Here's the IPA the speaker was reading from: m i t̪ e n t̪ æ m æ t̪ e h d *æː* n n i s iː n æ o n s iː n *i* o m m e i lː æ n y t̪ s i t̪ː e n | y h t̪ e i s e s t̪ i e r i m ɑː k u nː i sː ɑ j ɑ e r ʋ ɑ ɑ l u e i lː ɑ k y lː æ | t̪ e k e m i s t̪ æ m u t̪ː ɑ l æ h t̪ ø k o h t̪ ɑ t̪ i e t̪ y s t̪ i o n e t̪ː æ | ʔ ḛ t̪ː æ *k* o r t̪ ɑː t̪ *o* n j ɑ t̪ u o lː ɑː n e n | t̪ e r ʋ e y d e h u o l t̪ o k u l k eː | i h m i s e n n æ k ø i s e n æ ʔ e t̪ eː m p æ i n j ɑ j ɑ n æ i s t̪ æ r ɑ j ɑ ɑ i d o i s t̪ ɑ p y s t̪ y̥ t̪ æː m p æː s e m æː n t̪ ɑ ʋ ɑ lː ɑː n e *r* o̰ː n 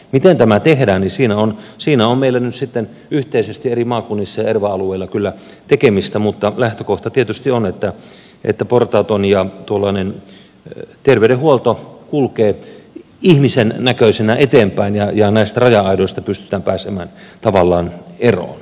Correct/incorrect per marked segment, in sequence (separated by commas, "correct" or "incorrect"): correct, incorrect, incorrect, correct, correct